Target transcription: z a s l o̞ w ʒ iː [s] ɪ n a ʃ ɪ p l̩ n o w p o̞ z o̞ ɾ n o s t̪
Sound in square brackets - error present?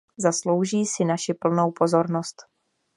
no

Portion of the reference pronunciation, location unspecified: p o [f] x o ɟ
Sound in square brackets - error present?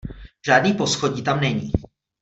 yes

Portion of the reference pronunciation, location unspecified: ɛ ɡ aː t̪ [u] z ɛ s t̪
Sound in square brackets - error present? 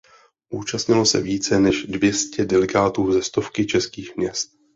yes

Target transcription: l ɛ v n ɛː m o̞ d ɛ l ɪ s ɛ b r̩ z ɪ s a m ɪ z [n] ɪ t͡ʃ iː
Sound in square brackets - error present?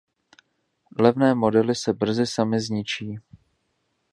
yes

